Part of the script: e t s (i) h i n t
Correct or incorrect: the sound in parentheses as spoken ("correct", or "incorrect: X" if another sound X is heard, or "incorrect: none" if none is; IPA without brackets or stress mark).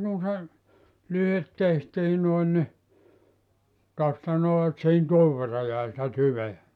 correct